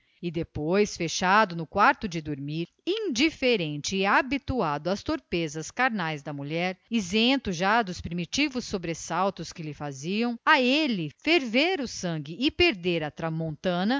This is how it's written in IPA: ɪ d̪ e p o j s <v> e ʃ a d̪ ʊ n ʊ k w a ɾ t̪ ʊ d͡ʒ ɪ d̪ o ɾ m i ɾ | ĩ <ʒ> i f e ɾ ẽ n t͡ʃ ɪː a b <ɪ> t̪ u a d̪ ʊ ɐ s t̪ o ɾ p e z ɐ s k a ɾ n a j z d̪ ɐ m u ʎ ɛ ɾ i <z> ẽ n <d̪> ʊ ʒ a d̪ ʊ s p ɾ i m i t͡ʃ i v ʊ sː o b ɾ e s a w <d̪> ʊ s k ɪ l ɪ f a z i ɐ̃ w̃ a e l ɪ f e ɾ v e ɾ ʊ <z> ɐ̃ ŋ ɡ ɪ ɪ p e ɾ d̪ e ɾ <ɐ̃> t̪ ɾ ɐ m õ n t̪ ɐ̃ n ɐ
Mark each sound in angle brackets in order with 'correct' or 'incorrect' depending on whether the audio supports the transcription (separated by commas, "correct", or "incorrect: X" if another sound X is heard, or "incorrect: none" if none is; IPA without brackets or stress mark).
incorrect: f, incorrect: d͡ʒ, incorrect: i, correct, incorrect: t̪, incorrect: t̪, incorrect: s, incorrect: ɐ